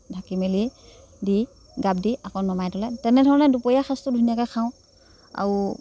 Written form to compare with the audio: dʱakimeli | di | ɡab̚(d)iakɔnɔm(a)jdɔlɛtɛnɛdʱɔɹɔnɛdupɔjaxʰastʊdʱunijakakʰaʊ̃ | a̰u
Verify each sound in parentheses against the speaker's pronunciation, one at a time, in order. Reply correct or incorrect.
correct, correct

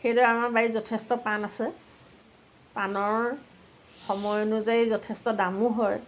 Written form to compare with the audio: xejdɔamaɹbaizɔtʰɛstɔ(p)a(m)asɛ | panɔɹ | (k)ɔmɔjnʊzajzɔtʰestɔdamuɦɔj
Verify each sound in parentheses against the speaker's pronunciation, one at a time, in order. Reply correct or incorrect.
correct, incorrect, incorrect

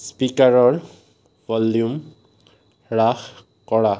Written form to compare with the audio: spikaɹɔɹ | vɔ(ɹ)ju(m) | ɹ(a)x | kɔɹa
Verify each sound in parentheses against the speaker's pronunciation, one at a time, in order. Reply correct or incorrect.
incorrect, correct, correct

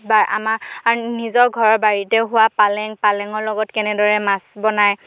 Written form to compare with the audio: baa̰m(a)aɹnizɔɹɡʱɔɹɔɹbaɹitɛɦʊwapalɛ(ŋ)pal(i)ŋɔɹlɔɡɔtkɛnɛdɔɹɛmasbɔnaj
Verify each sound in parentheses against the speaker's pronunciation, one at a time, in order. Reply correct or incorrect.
correct, correct, incorrect

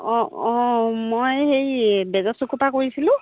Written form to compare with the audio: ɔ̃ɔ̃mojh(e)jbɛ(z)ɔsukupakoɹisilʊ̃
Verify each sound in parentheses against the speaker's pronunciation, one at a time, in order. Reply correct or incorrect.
correct, correct

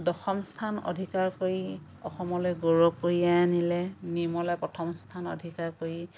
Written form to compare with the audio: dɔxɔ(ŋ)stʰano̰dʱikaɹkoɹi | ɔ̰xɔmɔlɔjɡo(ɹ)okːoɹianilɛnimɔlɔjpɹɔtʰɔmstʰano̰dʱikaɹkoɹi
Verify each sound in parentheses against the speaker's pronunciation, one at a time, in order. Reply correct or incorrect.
incorrect, correct

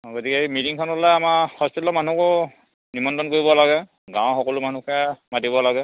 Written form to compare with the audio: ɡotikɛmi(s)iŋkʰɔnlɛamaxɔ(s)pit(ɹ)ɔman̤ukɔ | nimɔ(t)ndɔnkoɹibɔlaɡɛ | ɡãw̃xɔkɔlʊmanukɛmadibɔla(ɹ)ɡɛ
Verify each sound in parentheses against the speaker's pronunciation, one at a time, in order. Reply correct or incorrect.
incorrect, correct, incorrect, incorrect, incorrect

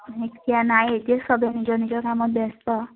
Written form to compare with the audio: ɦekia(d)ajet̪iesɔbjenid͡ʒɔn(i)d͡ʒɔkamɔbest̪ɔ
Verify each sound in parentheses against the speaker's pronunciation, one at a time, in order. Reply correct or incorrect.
incorrect, correct

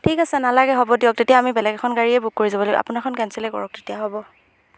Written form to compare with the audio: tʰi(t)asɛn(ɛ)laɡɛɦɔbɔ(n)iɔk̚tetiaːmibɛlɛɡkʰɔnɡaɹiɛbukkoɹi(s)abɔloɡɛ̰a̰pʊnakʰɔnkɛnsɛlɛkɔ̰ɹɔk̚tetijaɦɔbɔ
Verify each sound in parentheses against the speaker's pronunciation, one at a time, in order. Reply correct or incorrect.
incorrect, incorrect, incorrect, incorrect

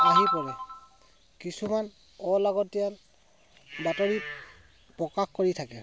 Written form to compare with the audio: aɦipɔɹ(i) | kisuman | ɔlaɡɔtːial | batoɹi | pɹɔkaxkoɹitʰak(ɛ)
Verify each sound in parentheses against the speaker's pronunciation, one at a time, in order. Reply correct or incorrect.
incorrect, correct

